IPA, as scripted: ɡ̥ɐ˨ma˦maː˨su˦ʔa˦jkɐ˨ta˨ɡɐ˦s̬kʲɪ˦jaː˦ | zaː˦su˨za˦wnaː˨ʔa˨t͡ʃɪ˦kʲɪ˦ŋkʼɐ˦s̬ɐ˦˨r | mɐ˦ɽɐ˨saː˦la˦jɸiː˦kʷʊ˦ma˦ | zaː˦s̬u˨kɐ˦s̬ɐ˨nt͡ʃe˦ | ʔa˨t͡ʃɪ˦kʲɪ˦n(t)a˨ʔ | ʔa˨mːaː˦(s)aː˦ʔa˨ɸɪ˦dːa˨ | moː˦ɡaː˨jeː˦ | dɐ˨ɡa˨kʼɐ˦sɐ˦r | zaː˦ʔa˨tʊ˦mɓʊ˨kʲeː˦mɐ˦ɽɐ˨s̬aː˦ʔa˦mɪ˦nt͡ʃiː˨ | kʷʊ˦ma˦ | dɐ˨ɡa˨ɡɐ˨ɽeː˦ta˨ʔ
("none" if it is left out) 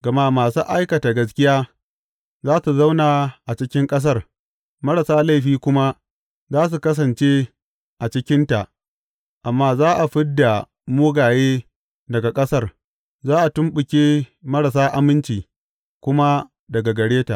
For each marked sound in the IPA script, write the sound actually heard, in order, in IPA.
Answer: t, z

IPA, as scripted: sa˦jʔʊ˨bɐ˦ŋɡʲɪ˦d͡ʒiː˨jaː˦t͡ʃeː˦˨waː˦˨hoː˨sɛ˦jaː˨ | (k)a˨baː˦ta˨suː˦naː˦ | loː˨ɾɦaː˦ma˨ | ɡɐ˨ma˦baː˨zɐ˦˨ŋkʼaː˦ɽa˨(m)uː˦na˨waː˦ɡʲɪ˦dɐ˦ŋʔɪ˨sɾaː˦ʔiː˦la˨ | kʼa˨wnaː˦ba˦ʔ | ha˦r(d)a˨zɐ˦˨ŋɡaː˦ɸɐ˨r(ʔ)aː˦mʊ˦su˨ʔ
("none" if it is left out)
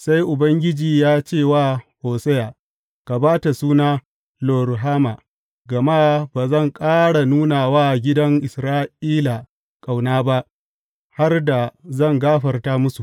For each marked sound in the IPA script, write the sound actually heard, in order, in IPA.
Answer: k, n, d, t

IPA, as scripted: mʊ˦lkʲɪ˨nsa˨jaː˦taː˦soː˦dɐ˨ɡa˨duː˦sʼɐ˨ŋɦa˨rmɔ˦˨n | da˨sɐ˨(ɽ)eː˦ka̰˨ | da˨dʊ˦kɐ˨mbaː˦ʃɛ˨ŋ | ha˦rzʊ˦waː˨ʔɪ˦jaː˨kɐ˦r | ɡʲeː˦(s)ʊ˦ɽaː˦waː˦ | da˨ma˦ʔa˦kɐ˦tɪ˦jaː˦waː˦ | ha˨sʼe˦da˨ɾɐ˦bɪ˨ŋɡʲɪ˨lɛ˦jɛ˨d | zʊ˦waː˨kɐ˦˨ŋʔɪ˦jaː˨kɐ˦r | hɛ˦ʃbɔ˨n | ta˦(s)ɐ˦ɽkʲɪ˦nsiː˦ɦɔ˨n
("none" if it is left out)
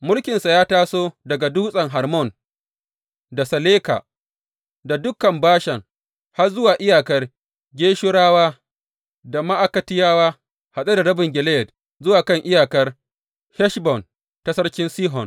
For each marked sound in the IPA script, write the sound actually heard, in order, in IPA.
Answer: l, ʃ, s

